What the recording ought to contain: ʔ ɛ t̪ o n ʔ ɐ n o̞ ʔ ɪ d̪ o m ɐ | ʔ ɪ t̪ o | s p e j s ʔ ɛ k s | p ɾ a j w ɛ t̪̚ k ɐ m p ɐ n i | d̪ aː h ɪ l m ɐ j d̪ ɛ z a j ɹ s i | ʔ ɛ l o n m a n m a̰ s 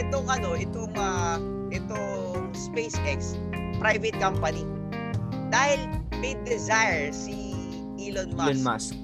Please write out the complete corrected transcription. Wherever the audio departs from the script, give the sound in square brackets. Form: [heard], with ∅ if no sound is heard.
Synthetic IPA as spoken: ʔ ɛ t̪ o [ŋ] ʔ ɐ n o̞ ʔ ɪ [t̪] o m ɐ | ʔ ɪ t̪ o | s p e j s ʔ ɛ k s | p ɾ a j [v] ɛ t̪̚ k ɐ m p ɐ n i | d̪ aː h ɪ l m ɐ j d̪ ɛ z a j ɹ s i | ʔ [i] l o n m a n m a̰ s